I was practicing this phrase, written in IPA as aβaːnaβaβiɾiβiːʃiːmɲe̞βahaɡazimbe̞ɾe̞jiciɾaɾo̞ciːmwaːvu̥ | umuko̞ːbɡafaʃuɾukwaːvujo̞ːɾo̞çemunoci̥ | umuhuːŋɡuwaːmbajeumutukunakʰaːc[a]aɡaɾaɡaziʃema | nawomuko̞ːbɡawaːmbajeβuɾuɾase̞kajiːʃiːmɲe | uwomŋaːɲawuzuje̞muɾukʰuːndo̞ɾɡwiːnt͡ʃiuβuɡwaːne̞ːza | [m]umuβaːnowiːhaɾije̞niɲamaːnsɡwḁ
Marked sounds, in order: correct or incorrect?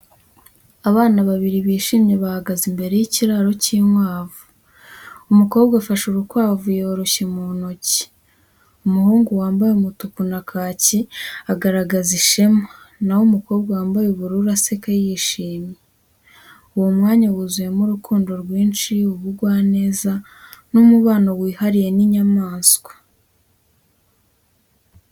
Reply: incorrect: i, incorrect: n

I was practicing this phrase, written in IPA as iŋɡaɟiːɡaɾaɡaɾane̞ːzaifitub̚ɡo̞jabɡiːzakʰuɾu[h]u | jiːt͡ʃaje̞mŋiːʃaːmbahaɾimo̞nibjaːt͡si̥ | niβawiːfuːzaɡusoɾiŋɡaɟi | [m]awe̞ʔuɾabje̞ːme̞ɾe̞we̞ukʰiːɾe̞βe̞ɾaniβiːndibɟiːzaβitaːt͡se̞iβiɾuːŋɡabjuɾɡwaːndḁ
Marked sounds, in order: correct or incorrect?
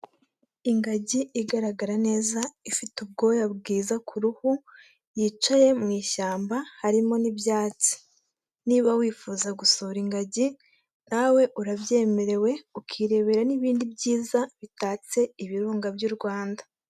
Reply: correct, incorrect: n

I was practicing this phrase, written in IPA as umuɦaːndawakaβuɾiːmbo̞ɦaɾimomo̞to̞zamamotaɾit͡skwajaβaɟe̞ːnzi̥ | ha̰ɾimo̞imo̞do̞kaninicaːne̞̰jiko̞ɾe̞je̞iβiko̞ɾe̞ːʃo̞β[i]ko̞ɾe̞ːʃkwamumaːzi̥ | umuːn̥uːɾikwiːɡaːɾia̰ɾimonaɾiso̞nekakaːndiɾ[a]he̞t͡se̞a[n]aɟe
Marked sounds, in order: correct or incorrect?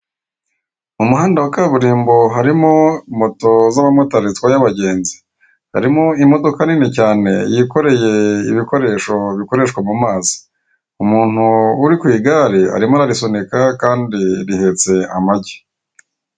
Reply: correct, incorrect: i, incorrect: m

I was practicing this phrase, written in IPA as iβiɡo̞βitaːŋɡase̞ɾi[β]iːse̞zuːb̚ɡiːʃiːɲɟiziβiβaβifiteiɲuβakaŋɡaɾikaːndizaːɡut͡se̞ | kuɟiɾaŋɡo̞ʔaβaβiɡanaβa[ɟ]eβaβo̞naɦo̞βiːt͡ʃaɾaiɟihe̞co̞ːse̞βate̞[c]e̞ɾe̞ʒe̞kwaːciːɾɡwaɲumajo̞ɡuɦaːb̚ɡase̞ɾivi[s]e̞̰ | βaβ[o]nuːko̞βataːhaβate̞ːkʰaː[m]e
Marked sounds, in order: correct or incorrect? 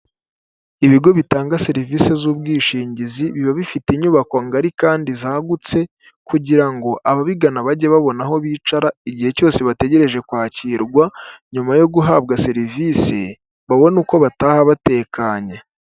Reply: incorrect: v, correct, incorrect: ɟ, correct, correct, incorrect: ɲ

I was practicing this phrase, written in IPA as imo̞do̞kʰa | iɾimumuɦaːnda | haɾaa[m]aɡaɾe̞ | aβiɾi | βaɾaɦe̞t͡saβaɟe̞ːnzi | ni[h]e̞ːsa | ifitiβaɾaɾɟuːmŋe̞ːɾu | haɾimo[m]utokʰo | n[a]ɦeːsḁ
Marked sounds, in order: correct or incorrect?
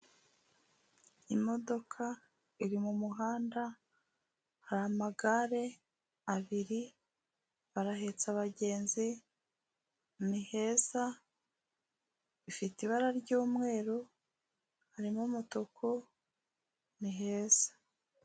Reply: correct, correct, correct, incorrect: i

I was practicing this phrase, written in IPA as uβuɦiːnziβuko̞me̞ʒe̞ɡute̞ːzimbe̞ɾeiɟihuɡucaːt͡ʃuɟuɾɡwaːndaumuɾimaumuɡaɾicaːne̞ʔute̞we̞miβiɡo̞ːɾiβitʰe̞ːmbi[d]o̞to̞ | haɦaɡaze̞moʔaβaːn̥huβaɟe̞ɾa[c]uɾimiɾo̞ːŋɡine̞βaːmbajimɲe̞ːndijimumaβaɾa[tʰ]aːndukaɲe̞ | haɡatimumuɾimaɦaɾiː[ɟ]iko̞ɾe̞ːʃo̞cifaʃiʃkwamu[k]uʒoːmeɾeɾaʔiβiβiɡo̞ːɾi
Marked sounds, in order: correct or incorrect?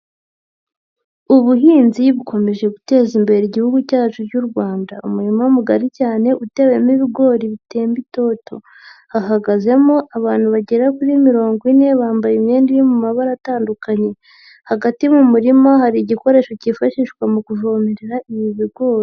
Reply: incorrect: t, incorrect: k, incorrect: t, correct, correct

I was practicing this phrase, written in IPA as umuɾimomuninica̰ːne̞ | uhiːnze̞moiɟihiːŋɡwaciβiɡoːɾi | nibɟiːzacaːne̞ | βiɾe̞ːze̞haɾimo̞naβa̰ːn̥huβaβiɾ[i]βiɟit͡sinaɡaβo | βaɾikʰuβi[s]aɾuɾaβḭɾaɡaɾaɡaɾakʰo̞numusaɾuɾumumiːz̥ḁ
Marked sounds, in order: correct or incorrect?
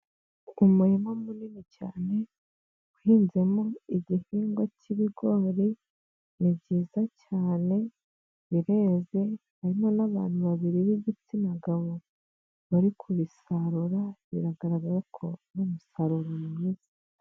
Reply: correct, correct

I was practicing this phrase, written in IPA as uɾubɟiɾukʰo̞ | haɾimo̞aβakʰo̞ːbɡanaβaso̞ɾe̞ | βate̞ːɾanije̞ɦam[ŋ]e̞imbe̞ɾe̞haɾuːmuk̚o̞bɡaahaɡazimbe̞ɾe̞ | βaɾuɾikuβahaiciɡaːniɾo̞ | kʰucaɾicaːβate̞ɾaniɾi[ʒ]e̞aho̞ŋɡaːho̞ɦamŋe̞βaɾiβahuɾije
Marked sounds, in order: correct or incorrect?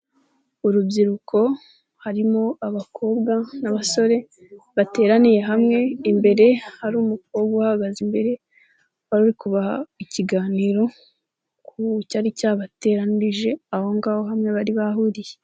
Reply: correct, correct

